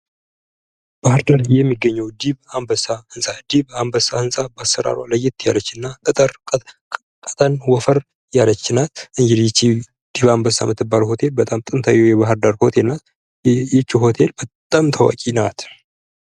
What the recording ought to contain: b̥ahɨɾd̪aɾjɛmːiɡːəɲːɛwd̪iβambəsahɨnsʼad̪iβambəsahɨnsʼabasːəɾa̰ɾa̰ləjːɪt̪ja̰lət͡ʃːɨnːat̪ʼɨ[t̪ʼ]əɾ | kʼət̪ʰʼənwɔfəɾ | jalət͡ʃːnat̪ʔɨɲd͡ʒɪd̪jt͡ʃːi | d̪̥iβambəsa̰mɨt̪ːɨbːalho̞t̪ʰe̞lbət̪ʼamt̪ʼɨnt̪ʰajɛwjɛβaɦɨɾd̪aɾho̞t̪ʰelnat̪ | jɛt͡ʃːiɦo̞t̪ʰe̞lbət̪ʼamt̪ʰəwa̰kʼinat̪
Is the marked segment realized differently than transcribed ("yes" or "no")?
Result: no